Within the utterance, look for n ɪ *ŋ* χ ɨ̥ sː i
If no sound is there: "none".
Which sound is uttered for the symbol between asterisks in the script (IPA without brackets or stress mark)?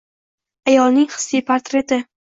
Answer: ŋ